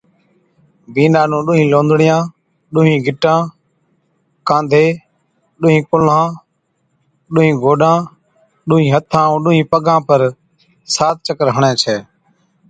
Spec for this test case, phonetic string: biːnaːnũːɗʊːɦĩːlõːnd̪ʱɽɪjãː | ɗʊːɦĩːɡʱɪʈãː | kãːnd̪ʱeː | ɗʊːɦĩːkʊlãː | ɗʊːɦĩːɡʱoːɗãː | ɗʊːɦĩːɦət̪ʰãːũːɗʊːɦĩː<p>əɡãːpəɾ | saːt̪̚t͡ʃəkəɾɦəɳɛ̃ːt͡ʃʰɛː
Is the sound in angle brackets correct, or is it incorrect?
correct